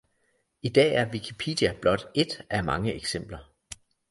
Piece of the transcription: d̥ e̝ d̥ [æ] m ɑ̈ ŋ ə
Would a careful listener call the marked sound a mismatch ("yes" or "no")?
no